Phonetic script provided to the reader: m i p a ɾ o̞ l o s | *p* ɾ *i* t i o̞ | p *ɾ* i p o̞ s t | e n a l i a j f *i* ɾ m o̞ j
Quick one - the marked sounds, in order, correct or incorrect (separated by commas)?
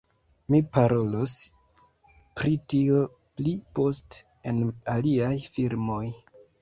correct, correct, incorrect, correct